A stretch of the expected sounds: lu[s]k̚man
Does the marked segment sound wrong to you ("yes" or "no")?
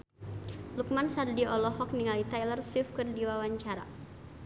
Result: yes